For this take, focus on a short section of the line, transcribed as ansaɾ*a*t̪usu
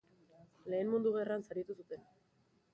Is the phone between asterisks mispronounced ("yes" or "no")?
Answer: yes